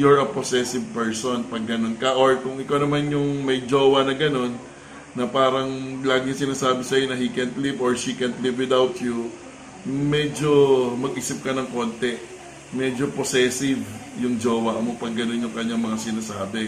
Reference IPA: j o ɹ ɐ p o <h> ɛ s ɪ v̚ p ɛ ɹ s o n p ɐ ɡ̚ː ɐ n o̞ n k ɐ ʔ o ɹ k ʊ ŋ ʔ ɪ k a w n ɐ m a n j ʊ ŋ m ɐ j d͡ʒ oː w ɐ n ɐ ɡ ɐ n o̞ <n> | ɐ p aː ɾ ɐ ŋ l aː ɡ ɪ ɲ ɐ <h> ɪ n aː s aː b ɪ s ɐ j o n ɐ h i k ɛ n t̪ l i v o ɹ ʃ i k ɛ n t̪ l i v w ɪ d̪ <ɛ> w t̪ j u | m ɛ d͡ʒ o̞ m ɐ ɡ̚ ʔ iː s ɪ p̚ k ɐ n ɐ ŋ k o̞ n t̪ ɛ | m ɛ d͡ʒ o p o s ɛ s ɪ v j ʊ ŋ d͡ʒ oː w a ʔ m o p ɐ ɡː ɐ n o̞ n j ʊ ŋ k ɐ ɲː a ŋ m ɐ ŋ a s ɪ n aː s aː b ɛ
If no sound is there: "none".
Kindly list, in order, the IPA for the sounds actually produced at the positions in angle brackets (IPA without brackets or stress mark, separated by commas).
s, nː, s, a